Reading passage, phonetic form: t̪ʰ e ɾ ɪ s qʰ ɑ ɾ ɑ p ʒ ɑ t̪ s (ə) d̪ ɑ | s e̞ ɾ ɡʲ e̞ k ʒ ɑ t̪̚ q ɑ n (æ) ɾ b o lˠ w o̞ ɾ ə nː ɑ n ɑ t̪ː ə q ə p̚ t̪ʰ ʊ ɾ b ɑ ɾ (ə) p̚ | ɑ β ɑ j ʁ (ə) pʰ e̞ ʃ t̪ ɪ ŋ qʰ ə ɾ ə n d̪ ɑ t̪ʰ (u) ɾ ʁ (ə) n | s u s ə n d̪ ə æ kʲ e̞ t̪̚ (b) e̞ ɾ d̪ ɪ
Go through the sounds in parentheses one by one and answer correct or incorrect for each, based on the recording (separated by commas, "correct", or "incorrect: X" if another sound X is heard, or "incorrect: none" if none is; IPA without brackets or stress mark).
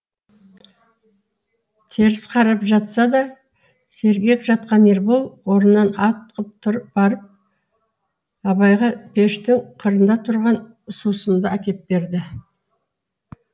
incorrect: ɑ, incorrect: e, correct, incorrect: ɑ, incorrect: ʊ, incorrect: ɑ, correct